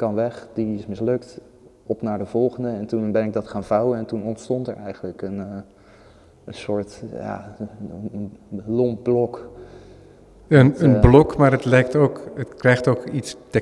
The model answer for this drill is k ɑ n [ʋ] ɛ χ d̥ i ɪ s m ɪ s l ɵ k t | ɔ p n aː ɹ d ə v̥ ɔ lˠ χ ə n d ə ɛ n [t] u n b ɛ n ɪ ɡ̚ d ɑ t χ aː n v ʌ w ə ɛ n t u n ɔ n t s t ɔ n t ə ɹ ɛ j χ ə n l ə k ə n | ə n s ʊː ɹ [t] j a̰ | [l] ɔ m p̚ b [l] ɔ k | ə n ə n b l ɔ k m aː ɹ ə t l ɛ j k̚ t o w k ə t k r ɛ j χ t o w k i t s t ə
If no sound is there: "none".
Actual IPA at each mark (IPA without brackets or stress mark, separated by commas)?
ʋ, t, t, l, l